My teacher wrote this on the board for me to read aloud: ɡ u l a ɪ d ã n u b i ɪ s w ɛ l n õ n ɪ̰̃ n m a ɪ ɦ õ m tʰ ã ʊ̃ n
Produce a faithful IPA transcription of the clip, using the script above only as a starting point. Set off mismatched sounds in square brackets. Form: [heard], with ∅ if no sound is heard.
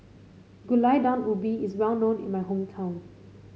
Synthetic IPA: ɡ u l a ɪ d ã n u b i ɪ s w ɛ l n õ n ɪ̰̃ n m a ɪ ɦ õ m tʰ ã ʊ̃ n

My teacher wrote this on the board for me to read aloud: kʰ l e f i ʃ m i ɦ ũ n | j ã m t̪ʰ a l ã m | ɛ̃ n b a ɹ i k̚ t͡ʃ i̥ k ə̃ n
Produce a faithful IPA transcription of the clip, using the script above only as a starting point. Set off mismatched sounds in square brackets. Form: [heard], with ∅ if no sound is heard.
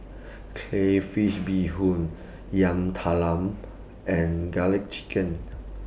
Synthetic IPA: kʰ l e f i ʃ [b] i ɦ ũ n | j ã m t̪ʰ a l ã m | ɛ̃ n [ɡ] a [l] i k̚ t͡ʃ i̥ k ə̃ n

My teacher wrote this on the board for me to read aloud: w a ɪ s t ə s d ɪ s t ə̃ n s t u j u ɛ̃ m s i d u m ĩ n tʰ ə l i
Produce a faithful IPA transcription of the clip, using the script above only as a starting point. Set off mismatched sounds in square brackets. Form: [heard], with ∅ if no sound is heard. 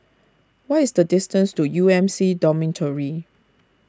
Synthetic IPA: w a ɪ s [d] ə [∅] d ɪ s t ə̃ n s t u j u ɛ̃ m s i d [ɔ] m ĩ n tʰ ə [ɹ] i

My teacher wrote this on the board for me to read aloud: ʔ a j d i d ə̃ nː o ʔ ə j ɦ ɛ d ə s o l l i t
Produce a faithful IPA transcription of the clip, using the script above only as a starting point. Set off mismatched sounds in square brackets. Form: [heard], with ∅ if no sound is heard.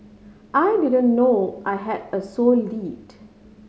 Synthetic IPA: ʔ a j d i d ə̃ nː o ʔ [a] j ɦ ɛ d ə s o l l i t

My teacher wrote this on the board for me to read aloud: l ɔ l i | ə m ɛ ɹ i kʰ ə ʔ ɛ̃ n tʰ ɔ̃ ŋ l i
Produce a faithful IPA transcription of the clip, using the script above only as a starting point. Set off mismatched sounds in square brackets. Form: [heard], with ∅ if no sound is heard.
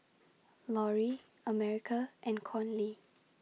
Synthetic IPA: l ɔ [ɹ] i | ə m ɛ ɹ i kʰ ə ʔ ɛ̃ n [kʰ] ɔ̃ [n] l i

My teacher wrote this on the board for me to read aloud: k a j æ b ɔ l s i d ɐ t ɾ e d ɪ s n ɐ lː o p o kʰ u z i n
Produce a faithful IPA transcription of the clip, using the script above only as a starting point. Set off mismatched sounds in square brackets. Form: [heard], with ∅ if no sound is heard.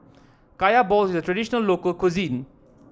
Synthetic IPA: k a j [a] b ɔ l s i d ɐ t ɾ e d [i] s n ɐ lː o [k] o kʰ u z i n

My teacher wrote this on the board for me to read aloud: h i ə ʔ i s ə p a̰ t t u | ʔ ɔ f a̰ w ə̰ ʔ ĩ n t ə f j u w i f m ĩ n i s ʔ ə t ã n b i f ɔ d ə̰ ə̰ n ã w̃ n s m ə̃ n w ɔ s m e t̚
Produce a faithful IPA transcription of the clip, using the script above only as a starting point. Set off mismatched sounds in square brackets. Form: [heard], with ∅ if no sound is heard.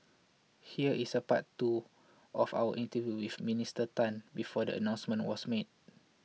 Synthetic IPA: h i ə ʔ i s ə p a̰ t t u | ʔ ɔ f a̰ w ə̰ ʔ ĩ n t ə [v] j u w i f m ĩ n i s [t] ə t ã n b i f ɔ d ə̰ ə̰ n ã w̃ n s m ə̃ n w ɔ s m e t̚

